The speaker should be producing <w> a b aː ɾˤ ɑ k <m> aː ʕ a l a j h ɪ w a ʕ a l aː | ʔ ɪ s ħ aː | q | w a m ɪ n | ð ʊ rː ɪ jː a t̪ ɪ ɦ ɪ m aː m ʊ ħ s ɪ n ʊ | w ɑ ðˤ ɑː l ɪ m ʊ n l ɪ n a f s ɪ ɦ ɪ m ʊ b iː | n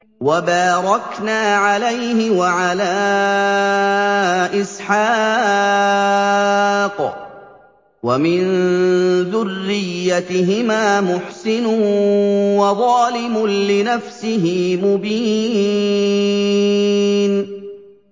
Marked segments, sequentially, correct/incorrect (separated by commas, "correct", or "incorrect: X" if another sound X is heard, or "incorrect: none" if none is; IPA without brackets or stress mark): correct, incorrect: n